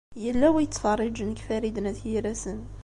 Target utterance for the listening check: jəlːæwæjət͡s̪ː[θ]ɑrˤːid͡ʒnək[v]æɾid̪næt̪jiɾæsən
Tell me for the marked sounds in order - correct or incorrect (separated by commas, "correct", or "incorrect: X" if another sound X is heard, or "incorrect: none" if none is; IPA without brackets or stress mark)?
incorrect: f, incorrect: f